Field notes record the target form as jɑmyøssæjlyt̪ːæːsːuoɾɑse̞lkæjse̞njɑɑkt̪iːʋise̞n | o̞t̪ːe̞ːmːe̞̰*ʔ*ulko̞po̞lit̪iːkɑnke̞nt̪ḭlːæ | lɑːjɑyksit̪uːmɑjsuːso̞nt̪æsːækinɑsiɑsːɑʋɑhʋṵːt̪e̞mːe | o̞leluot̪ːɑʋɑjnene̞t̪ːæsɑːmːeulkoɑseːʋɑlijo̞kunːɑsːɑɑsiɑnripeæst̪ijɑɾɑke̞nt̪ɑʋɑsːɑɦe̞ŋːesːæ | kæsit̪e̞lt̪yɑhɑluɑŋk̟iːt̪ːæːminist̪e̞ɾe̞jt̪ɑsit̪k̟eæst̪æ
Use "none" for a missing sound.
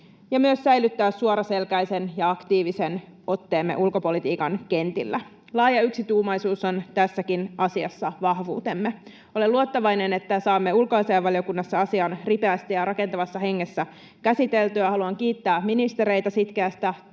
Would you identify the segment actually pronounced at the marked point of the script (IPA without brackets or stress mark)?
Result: ʔ